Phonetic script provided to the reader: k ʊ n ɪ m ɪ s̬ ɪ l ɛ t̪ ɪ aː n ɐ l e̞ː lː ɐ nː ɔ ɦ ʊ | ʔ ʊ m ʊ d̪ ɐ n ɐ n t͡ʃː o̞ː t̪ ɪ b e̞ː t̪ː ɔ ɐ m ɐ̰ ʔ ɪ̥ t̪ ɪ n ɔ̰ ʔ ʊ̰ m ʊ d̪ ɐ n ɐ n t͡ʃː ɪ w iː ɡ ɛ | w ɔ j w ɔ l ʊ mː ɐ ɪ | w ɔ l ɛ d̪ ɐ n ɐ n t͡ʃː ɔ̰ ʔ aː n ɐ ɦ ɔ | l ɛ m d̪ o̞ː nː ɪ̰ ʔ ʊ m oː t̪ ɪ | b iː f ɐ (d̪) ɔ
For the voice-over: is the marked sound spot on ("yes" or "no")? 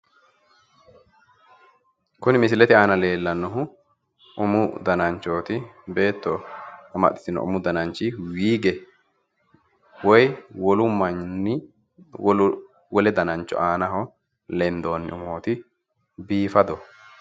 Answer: yes